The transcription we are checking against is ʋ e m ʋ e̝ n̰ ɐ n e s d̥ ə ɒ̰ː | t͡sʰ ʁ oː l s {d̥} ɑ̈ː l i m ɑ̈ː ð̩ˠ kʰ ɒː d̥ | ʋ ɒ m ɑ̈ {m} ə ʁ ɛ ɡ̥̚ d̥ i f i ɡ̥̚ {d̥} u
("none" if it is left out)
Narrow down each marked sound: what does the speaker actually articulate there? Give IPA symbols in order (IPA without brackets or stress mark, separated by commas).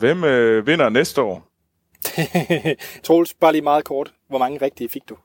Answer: b̥, ŋ, d̥